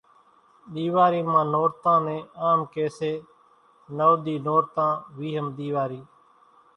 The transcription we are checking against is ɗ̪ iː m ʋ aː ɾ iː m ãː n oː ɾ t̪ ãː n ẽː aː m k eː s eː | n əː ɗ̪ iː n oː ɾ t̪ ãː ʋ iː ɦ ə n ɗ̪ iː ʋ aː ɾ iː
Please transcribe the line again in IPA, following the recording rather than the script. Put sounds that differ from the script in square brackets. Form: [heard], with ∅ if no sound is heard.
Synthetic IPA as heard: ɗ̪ iː [∅] ʋ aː ɾ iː m ãː n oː ɾ t̪ ãː n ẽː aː m k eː s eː | n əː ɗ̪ iː n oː ɾ t̪ ãː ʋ iː ɦ ə [m] ɗ̪ iː ʋ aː ɾ iː